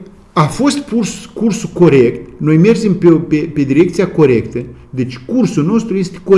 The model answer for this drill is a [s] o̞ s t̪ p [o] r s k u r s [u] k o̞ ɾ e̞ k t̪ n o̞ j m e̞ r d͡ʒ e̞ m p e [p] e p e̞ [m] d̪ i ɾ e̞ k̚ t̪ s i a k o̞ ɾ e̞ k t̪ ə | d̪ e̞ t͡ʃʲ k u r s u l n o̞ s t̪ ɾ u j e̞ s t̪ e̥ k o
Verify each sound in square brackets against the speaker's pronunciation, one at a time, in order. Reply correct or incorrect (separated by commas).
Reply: incorrect, incorrect, correct, correct, incorrect